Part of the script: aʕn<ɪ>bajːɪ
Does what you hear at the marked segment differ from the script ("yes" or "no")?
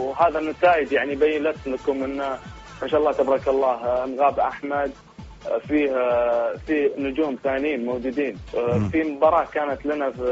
yes